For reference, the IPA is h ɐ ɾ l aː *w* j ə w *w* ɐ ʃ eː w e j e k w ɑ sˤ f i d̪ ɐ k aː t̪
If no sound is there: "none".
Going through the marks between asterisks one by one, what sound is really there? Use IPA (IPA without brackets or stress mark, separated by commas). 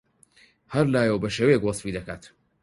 none, b